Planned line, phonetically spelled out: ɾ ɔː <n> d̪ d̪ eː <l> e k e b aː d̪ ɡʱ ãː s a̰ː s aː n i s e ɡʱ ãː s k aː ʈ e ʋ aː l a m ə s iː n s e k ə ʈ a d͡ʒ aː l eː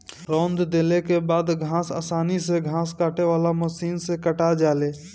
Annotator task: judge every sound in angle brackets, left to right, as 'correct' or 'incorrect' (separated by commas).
correct, correct